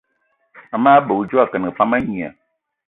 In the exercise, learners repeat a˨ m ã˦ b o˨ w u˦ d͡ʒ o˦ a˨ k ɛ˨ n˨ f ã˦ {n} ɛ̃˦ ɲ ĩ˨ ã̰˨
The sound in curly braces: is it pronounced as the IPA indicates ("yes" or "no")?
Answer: no